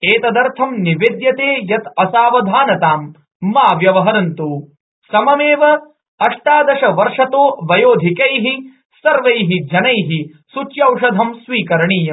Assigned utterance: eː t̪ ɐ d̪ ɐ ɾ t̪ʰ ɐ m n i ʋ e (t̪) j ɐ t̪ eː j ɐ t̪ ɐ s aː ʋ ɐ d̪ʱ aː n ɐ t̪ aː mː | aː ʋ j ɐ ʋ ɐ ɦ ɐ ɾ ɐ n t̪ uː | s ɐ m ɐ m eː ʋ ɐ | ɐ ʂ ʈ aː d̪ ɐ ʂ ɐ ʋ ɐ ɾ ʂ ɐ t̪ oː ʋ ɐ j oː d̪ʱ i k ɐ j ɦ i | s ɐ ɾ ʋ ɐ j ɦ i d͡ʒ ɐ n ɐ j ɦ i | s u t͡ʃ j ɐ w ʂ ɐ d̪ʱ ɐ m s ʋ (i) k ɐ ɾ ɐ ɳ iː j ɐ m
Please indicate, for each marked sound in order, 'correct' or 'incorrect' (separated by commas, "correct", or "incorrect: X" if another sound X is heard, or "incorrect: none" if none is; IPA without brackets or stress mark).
incorrect: d̪, incorrect: iː